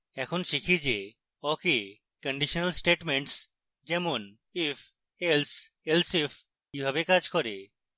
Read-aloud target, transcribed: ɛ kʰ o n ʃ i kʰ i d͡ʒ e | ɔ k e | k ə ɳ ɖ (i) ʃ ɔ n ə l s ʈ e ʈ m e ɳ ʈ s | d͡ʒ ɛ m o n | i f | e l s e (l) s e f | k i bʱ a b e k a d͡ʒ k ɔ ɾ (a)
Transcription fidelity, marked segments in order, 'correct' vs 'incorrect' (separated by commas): correct, correct, incorrect